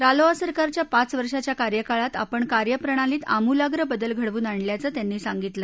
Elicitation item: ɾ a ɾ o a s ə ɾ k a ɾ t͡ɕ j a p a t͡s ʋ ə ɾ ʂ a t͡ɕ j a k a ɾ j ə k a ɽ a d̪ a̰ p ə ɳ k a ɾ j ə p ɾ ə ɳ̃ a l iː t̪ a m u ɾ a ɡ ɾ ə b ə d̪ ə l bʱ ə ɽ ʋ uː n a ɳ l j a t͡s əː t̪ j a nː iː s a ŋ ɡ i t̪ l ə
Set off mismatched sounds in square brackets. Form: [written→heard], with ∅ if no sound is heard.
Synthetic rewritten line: ɾ a [ɾ→l] o a s ə ɾ k a ɾ t͡ɕ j a p a t͡s ʋ ə ɾ ʂ a t͡ɕ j a k a ɾ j ə k a [ɽ→ɭ] a [d̪→t̪] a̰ p ə ɳ k a ɾ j ə p ɾ ə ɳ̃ a l iː t̪ a m u [ɾ→l] a ɡ ɾ ə b ə d̪ ə l [bʱ→ɡʱ] ə ɽ ʋ uː n a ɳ l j a t͡s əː t̪ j a nː iː s a ŋ ɡ i t̪ l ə